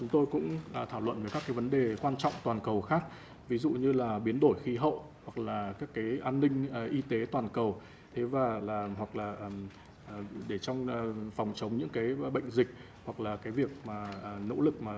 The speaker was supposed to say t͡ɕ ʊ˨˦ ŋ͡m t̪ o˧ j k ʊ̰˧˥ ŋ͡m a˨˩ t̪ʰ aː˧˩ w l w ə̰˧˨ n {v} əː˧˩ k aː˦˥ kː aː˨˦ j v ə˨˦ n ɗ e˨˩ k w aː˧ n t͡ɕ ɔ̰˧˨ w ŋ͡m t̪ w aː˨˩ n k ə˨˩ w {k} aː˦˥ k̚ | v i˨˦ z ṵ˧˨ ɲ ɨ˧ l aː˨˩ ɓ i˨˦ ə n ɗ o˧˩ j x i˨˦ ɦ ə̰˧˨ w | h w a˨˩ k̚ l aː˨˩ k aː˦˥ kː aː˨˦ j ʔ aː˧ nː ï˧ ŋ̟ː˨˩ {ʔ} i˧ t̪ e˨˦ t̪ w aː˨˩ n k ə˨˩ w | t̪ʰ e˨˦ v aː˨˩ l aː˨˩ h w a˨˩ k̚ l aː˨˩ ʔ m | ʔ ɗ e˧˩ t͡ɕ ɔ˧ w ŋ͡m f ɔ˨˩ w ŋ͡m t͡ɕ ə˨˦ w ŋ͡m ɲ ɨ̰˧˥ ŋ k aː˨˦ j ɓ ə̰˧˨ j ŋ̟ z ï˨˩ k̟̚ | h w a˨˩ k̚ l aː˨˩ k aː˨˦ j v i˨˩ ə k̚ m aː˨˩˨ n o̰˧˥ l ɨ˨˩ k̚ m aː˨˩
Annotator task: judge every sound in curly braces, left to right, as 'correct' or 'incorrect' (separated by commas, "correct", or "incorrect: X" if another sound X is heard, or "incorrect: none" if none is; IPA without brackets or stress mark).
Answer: correct, incorrect: x, correct